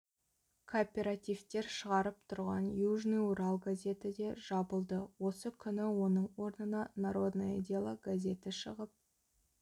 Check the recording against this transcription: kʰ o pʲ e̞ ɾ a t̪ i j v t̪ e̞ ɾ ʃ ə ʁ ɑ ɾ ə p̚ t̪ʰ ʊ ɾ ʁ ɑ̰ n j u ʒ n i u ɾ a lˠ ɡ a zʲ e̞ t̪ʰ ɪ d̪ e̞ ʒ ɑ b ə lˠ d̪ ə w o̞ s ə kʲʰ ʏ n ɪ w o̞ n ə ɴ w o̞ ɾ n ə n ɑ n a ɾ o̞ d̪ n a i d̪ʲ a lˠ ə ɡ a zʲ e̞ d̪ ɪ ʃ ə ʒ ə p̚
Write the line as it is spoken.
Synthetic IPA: kʰ o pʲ e̞ ɾ a t̪ i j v t̪ e̞ ɾ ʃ ə ʁ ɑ ɾ ə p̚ t̪ʰ ʊ ɾ ʁ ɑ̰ n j u ʒ n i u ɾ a lˠ ɡ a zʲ e̞ t̪ ɪ d̪ e̞ ʒ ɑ b ə lˠ d̪ ə w o̞ s ə kʲʰ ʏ n ɪ w o̞ n ə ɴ w o̞ ɾ n ə n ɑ n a ɾ o̞ d̪ n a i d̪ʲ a lˠ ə ɡ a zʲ e̞ t̪ ɪ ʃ ə ʁ ə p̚